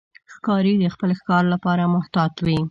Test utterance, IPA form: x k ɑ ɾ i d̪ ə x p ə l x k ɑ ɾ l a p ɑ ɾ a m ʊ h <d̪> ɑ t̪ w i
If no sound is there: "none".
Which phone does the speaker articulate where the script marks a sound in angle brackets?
t̪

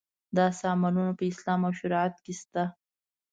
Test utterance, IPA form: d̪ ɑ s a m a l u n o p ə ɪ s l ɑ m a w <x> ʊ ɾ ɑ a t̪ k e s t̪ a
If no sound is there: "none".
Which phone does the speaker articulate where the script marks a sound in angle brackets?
ʃ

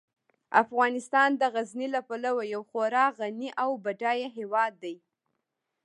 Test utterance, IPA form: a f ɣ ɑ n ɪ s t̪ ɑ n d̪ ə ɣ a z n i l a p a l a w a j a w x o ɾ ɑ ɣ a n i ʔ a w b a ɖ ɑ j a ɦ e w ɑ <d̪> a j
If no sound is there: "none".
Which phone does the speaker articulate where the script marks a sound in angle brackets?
d̪ː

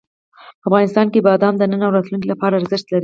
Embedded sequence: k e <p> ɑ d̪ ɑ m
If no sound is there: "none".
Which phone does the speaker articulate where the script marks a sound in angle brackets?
b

